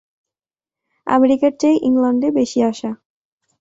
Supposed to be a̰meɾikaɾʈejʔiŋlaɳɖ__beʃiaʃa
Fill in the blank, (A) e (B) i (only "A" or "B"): A